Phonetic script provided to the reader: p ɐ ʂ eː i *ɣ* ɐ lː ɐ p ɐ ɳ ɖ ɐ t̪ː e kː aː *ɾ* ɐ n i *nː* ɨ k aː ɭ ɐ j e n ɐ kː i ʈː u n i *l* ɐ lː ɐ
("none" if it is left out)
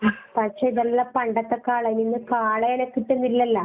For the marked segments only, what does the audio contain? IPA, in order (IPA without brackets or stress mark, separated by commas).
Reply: ð, ɭ, nː, lː